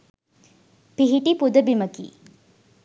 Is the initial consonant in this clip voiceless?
yes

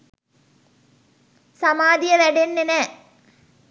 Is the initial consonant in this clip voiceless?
yes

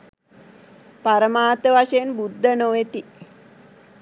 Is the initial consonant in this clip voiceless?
yes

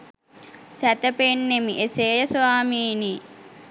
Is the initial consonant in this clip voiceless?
yes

